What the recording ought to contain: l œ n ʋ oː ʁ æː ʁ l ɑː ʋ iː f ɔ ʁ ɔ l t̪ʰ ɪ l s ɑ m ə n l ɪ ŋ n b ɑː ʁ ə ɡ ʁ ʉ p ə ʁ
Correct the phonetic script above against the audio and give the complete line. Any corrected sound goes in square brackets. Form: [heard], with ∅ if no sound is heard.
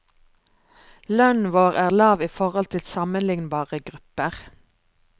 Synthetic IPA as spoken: l œ n ʋ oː ʁ æː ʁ l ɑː ʋ iː f ɔ ʁ ɔ l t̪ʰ ɪ l s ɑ m ə n l ɪ ŋ n b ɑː ʁ ə ɡ ʁ ʉ p ə ʁ